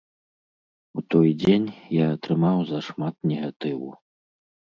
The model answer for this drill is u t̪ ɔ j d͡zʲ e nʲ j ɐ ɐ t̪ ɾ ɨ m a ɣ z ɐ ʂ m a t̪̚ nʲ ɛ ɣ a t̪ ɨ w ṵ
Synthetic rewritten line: u t̪ ɔ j d͡zʲ e nʲ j a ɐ t̪ ɾ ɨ m a w z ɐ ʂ m a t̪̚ nʲ ɛ ɣ a t̪ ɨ w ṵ